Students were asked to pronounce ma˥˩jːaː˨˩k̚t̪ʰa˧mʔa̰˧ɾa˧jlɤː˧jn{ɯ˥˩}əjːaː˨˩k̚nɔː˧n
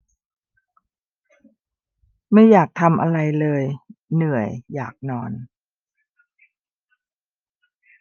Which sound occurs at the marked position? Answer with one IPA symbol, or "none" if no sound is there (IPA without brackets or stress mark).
ɯ˨˩